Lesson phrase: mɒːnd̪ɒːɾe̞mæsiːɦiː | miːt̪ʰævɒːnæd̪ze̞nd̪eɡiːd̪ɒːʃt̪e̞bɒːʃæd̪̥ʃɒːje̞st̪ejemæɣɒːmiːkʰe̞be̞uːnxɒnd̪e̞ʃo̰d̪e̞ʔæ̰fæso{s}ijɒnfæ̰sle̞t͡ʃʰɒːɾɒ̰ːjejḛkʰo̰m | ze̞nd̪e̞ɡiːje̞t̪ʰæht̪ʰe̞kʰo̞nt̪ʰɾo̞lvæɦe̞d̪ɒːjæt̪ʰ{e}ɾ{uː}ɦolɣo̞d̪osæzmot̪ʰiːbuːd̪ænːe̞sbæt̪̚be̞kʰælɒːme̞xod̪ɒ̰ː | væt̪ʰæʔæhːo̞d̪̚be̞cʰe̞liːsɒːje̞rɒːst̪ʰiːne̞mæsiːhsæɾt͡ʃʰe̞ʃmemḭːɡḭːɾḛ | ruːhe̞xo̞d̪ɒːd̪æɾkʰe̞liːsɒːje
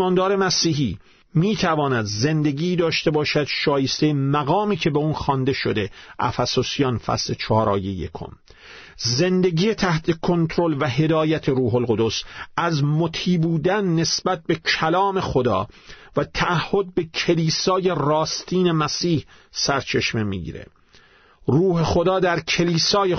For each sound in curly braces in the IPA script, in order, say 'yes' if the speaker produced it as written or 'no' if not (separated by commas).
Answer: yes, yes, yes